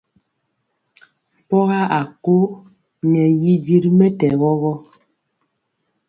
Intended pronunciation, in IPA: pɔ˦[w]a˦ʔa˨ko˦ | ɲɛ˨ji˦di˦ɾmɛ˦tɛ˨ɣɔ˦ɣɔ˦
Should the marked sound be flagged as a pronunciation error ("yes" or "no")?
yes